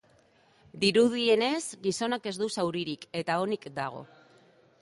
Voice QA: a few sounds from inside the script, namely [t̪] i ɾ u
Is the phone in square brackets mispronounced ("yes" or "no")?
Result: yes